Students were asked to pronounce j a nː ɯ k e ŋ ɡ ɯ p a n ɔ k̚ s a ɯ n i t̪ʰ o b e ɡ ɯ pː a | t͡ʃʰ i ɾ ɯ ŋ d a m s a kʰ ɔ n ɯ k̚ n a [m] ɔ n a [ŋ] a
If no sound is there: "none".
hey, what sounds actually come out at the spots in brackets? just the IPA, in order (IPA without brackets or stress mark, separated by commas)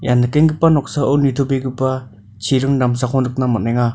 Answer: m, ŋ